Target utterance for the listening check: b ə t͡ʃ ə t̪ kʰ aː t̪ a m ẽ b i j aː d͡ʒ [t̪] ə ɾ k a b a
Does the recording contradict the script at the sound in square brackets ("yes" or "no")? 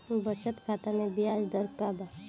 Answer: yes